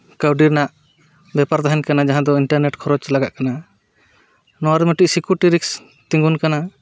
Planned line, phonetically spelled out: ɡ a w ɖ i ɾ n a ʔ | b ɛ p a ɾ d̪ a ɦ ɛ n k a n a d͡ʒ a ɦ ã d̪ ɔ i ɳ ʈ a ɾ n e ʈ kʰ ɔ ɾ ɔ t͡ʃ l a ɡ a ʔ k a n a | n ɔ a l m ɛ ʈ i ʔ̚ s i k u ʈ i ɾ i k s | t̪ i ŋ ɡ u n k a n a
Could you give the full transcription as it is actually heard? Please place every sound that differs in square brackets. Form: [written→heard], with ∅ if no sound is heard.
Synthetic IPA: [ɡ→k] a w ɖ i ɾ n a ʔ | b ɛ p a ɾ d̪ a ɦ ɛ n k a n a d͡ʒ a ɦ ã d̪ ɔ i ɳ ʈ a ɾ n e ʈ kʰ ɔ ɾ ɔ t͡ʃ l a ɡ a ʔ k a n a | n ɔ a [l→ɾ] m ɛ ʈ i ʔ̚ s i k u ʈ i ɾ i k s | t̪ i ŋ ɡ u n k a n a